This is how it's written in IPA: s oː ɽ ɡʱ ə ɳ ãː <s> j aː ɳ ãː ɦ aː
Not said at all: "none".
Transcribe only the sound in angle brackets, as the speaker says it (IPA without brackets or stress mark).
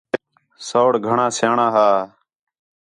s